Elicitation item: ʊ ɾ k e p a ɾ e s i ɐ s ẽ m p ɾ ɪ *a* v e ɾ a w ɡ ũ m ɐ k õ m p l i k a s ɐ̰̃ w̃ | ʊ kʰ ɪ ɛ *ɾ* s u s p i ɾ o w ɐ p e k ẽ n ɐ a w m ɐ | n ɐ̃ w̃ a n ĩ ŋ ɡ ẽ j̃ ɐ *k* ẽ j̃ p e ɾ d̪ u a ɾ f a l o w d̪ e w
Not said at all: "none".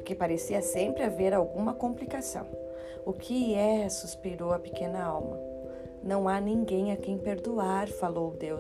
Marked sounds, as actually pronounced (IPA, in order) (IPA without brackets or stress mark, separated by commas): a, none, k